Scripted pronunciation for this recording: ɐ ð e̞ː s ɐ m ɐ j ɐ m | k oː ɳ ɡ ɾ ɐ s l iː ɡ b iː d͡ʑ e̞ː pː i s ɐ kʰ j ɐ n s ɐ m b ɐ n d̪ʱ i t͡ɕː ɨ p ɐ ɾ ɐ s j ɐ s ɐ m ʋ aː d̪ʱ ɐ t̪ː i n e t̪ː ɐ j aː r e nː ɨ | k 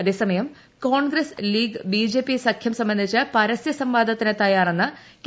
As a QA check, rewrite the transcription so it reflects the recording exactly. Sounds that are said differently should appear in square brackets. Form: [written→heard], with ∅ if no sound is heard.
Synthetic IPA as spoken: ɐ ð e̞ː s ɐ m ɐ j ɐ m | k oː ɳ ɡ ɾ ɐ s l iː ɡ b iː d͡ʑ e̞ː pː i s ɐ kʰ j ɐ [n→m] s ɐ m b ɐ n d̪ʱ i t͡ɕː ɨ p ɐ ɾ ɐ s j ɐ s ɐ m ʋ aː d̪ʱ ɐ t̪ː i n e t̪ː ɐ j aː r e nː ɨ | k